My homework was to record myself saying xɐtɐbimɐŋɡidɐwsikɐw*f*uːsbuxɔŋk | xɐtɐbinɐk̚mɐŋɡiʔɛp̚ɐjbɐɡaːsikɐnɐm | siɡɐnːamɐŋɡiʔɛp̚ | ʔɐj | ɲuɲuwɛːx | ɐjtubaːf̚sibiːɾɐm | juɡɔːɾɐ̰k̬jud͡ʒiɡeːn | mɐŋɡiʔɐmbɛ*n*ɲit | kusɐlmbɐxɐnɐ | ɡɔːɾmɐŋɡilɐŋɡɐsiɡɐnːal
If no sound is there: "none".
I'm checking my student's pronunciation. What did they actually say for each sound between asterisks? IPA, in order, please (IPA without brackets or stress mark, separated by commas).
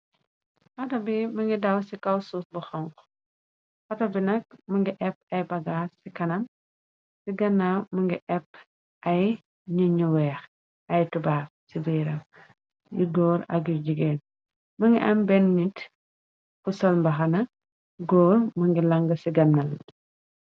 s, n